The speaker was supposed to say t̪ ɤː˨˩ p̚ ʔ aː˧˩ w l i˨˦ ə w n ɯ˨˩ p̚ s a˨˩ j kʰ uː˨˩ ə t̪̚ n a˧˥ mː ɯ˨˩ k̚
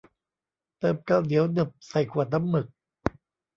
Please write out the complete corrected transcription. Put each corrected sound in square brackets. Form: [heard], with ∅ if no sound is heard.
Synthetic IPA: t̪ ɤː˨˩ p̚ [k] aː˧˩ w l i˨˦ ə w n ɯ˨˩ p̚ s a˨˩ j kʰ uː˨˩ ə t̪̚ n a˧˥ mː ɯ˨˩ k̚